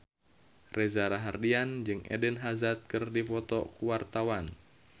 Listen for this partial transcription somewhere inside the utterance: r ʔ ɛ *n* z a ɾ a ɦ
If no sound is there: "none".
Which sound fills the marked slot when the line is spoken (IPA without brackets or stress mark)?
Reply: none